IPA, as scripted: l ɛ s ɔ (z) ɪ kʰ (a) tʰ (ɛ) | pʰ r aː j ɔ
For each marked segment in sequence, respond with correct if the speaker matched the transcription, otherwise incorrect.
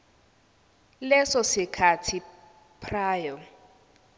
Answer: incorrect: s, correct, incorrect: i

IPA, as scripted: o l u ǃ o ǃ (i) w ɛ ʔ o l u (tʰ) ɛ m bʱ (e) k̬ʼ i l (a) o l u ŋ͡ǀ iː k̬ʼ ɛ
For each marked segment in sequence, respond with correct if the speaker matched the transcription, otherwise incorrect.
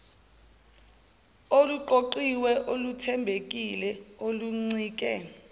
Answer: correct, correct, correct, incorrect: ɛ

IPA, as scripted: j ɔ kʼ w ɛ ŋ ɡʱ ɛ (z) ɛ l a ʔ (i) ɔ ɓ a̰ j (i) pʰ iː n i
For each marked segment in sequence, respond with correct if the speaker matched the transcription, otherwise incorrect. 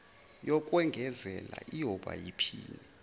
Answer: correct, correct, correct

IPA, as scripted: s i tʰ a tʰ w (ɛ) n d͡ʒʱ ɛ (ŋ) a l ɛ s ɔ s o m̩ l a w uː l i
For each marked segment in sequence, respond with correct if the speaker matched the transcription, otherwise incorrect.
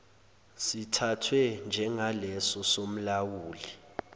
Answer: correct, correct

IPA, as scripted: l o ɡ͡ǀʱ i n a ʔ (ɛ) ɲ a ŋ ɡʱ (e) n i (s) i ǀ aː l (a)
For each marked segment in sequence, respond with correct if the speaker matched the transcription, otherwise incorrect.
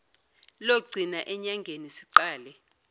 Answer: correct, correct, correct, incorrect: ɛ

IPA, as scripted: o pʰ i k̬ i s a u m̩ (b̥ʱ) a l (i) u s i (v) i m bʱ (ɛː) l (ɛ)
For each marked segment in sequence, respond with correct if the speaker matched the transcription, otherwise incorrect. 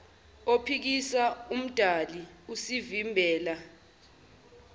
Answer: incorrect: d̥ʱ, correct, correct, correct, incorrect: a

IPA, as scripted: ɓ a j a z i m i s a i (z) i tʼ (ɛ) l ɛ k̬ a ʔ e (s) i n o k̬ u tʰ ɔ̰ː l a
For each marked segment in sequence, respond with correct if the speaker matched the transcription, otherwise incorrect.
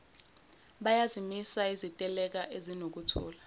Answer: correct, correct, incorrect: z

